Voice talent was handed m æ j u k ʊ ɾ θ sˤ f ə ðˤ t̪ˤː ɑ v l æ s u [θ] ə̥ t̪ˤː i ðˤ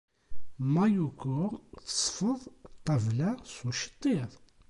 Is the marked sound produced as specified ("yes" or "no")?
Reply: no